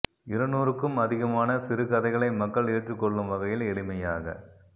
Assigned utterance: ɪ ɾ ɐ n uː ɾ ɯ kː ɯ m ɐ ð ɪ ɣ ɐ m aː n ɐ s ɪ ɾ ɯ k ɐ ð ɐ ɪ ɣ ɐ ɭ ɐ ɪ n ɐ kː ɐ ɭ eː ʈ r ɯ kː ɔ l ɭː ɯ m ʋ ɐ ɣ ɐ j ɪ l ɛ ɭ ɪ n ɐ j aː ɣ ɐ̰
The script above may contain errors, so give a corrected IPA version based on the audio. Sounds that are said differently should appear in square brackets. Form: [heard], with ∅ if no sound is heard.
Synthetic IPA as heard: ɪ ɾ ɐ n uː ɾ ɯ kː ɯ m ɐ ð ɪ ɣ ɐ m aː n ɐ s ɪ ɾ ɯ k ɐ ð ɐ ɪ ɣ ɐ ɭ ɐ ɪ [m] ɐ kː ɐ ɭ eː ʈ r ɯ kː ɔ [∅] ɭː ɯ m ʋ ɐ ɣ ɐ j ɪ l ɛ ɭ ɪ [m] ɐ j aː ɣ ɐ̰